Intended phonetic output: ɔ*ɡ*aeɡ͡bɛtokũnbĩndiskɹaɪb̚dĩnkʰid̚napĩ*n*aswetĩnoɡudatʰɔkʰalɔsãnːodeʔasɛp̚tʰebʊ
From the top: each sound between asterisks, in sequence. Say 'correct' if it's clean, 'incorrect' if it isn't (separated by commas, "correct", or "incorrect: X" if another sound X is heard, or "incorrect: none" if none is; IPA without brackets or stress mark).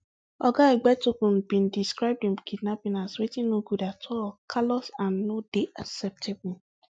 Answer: correct, correct